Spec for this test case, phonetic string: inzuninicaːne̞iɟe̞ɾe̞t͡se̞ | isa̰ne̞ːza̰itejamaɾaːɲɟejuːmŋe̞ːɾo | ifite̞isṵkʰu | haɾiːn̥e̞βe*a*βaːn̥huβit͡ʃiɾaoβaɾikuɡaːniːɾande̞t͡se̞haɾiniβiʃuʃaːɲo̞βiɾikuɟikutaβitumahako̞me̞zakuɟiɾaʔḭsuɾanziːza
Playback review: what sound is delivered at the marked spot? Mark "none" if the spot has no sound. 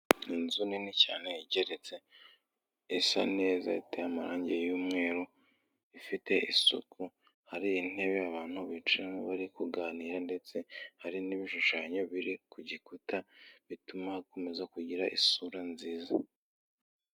a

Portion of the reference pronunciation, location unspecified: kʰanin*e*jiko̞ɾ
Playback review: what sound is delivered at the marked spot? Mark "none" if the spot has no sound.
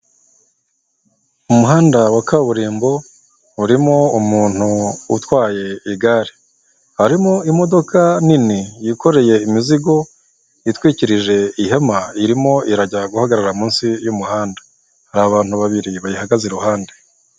i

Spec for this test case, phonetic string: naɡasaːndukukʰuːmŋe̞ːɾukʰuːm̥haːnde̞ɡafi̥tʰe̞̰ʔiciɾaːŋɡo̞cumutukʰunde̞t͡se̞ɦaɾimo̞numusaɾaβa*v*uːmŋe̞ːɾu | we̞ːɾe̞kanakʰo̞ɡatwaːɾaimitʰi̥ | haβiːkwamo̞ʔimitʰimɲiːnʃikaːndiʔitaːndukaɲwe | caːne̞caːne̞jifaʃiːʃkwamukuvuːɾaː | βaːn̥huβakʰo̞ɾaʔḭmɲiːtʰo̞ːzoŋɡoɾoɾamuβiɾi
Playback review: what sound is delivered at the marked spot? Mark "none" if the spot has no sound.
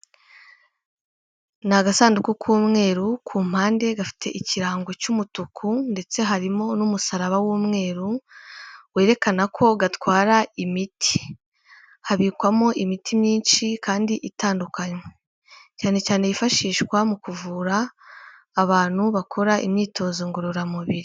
w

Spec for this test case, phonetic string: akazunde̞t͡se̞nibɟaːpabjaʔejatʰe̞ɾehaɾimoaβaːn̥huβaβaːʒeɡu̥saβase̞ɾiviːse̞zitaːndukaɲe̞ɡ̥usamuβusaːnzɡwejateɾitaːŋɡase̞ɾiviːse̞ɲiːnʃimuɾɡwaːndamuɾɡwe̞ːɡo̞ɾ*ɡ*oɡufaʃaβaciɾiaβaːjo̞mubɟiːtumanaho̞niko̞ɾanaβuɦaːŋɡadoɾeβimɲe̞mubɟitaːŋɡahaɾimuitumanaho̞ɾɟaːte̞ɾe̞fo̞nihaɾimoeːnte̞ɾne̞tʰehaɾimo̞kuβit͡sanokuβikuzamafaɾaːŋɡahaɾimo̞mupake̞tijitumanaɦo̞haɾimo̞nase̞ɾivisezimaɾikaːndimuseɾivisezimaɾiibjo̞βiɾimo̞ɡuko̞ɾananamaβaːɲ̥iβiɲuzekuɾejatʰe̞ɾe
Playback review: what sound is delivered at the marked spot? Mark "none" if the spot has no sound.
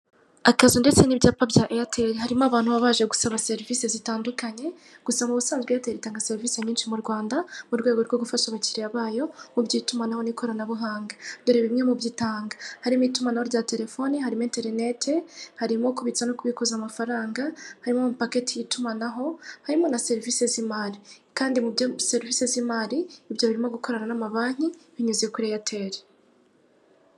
ɡ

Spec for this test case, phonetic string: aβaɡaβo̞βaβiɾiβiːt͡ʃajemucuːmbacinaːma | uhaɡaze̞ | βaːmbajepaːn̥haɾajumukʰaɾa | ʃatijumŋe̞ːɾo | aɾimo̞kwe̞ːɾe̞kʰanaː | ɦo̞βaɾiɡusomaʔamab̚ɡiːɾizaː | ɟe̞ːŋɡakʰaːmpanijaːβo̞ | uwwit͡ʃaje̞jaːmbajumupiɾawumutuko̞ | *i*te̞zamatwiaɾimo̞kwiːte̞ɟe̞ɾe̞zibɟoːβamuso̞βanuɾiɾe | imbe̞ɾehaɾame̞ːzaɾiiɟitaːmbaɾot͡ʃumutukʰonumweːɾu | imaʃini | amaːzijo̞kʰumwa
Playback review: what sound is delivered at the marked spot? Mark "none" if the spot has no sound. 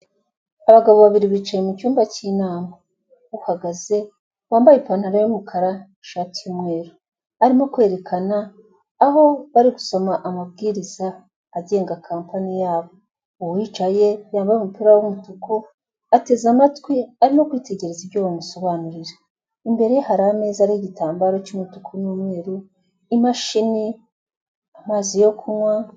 a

